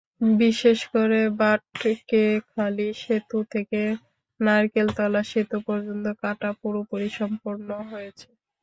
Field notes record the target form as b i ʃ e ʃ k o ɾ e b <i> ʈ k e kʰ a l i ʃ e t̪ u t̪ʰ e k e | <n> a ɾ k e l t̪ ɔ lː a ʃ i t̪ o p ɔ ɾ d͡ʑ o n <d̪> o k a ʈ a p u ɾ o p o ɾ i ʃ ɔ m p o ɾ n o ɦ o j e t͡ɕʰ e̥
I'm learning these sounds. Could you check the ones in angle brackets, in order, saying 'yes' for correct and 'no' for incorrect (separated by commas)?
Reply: no, yes, no